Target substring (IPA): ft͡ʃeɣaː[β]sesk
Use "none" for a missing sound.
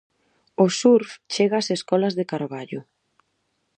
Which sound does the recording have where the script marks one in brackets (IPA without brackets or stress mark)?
none